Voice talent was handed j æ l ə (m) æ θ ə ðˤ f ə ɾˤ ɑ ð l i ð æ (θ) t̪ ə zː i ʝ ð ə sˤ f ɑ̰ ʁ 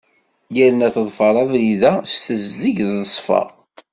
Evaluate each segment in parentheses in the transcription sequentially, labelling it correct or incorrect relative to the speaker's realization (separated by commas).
incorrect, incorrect